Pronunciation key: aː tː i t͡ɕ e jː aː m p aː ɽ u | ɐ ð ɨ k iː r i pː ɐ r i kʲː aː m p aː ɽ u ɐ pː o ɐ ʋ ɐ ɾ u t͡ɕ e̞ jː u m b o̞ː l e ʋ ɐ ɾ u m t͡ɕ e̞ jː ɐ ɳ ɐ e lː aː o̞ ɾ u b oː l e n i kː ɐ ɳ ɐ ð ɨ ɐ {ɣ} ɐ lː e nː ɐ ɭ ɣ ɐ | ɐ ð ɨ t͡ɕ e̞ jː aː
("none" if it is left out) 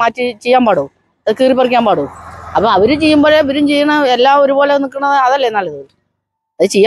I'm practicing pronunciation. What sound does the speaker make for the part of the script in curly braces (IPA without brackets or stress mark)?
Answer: ð